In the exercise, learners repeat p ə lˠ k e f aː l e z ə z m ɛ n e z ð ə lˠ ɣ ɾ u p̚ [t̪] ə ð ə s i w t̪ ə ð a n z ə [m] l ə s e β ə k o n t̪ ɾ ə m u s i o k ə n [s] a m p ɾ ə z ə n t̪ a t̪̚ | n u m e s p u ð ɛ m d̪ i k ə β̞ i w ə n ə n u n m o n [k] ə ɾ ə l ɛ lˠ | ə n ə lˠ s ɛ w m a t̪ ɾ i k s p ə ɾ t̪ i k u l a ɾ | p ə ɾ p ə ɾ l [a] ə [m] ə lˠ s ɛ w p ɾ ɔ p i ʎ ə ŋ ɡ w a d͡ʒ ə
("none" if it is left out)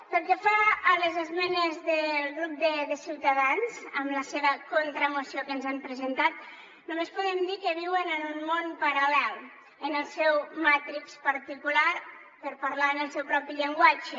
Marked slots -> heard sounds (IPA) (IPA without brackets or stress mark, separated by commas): d̪, m, z, p, a, n